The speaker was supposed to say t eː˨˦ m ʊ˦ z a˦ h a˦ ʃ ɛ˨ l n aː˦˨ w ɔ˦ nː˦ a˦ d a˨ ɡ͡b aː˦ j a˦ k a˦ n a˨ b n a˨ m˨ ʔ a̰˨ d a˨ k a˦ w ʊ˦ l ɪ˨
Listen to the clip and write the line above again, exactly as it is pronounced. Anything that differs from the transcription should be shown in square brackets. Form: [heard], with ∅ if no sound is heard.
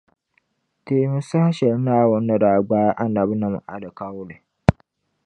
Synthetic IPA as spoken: t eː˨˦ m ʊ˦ [s] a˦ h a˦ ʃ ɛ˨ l n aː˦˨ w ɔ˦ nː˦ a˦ d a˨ ɡ͡b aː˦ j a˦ [ʔ] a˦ n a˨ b n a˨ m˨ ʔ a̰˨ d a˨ k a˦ w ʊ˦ l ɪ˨